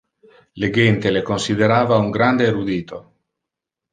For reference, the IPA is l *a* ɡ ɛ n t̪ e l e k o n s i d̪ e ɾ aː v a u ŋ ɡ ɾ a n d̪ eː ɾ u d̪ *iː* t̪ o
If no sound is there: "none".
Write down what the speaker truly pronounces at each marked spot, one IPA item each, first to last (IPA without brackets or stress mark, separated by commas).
e, iː